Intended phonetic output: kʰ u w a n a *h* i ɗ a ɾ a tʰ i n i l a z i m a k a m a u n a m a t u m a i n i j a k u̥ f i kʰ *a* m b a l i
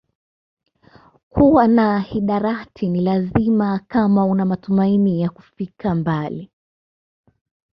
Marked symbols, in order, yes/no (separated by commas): yes, yes